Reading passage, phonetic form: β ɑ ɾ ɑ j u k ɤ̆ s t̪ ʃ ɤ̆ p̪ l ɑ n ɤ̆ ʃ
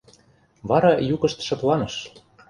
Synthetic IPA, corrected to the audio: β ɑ ɾ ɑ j u k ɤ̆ ʃ t̪ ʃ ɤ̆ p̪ l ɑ n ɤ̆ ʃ